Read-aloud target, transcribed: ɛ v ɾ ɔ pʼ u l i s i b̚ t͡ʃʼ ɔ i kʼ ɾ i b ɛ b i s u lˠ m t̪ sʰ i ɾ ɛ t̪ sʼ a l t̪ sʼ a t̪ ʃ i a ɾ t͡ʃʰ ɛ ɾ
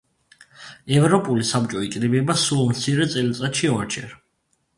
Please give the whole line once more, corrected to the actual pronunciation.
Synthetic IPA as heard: ɛ v ɾ ɔ pʼ u l i s a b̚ t͡ʃʼ ɔ i kʼ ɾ i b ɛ b a s u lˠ m t̪ sʰ i ɾ ɛ t̪ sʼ ɛ l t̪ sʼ a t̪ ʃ i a ɾ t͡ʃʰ ɛ ɾ